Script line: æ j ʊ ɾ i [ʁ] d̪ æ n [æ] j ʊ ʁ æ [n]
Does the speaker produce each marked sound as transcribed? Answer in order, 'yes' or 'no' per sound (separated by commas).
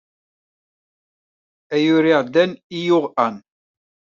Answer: yes, no, yes